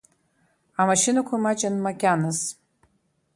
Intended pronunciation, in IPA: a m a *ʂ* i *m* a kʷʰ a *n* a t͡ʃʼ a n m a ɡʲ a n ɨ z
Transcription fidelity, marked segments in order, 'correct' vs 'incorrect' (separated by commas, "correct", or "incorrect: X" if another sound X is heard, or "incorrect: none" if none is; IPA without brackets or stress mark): incorrect: ʃ, incorrect: n, incorrect: m